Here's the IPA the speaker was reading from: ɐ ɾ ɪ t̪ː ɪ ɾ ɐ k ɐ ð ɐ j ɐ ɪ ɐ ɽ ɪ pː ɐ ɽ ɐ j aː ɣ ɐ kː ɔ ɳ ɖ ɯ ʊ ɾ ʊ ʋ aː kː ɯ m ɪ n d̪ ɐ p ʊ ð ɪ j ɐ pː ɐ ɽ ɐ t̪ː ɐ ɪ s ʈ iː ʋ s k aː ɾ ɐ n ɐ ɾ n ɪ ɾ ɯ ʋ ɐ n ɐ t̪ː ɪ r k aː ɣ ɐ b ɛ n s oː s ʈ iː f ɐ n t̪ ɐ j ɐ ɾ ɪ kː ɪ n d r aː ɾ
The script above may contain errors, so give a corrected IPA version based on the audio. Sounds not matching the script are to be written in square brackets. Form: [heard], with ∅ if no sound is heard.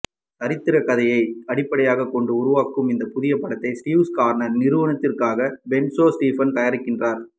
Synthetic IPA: ɐ ɾ ɪ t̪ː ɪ ɾ ɐ k ɐ ð ɐ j ɐ ɪ ɐ ɽ ɪ pː ɐ ɽ ɐ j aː ɣ ɐ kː ɔ ɳ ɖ ɯ ʊ ɾ ʊ ʋ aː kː ɯ m ɪ n d̪ ɐ p ʊ ð ɪ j ɐ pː ɐ ɽ ɐ t̪ː ɐ ɪ s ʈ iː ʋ s k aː ɾ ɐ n ɐ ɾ n ɪ ɾ ɯ ʋ ɐ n ɐ t̪ː ɪ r k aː ɣ ɐ b ɛ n s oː s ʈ iː f ɐ n t̪ ɐ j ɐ ɾ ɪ kː ɪ n d r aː ɾ